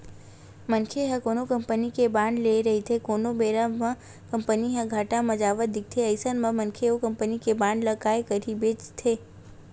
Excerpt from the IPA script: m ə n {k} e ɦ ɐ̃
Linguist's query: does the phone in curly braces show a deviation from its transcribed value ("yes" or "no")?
yes